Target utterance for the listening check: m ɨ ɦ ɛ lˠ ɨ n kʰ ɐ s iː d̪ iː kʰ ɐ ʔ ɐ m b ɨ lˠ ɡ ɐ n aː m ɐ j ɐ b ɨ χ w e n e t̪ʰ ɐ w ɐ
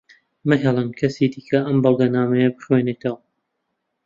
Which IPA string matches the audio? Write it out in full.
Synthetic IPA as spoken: m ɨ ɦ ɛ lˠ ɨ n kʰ ɐ s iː d̪ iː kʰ ɐ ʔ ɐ m b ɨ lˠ ɡ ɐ n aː m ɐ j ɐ b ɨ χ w e n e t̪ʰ ɐ w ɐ